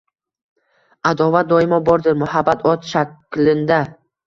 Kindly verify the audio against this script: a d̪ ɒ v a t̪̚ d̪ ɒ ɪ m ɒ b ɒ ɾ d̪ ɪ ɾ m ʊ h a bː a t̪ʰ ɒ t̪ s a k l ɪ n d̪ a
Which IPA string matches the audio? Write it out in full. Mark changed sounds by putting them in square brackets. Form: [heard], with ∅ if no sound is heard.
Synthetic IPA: a d̪ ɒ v a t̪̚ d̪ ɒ ɪ m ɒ b ɒ ɾ d̪ ɪ ɾ m ʊ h a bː a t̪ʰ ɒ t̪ [ʃ] a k l ɪ n d̪ a